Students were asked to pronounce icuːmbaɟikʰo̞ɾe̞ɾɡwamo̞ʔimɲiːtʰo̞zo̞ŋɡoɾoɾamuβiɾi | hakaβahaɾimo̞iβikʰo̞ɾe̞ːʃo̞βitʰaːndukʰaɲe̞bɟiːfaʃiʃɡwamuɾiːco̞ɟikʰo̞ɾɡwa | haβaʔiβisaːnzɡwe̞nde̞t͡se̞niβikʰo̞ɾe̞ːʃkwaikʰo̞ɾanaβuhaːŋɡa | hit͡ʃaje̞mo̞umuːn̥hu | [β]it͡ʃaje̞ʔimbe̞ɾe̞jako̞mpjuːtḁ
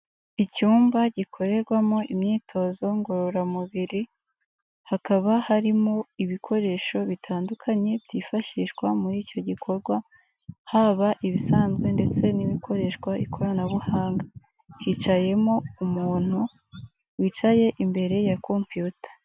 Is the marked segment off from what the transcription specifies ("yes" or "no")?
yes